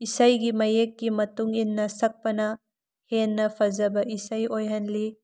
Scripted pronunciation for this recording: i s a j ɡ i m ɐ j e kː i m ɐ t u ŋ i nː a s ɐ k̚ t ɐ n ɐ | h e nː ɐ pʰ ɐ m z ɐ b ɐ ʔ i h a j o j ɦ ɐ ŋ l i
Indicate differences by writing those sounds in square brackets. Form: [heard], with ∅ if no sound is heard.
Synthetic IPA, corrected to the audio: i s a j ɡ i m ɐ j e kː i m ɐ t u ŋ i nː [ɐ] s ɐ k̚ [p] ɐ n ɐ | h e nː ɐ pʰ ɐ [∅] z ɐ b ɐ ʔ i [s] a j o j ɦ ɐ [n] l i